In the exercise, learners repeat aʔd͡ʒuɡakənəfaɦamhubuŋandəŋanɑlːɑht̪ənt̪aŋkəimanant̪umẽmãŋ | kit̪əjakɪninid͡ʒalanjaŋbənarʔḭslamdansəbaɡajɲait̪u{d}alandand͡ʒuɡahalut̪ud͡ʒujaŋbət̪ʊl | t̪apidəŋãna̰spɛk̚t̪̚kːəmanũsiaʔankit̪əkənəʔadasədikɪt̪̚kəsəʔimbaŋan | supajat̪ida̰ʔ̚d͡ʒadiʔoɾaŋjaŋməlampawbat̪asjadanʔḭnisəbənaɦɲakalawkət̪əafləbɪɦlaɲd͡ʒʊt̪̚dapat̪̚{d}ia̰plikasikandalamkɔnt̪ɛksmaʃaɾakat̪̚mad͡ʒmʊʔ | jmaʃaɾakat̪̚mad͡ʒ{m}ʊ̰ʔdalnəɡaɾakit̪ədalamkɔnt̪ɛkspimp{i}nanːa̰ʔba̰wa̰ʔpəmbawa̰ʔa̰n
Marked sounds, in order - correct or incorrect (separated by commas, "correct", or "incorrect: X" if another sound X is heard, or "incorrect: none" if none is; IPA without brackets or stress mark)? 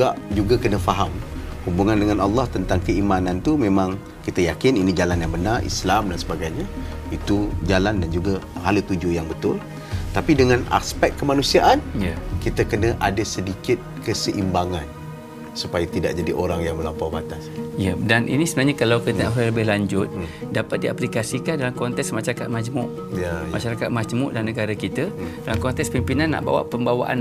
incorrect: d͡ʒ, correct, correct, correct